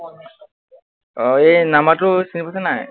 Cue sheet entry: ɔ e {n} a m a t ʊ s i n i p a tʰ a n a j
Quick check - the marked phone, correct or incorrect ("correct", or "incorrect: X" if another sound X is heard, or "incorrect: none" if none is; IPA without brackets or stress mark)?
correct